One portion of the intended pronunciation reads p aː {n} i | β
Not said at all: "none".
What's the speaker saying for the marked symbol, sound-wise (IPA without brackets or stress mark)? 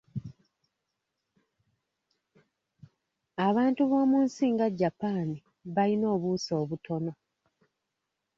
n